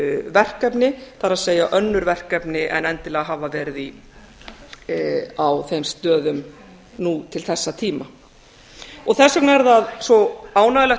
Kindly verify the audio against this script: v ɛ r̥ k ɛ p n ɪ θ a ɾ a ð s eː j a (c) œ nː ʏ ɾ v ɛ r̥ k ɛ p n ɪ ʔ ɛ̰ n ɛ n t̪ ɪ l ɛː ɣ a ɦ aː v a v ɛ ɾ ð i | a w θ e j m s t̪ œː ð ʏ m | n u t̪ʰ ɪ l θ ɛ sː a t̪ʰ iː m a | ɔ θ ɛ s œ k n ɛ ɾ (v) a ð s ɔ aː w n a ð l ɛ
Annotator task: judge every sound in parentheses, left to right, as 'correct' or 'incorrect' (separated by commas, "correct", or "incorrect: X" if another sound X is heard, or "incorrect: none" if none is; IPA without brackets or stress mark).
incorrect: ʔ, incorrect: ð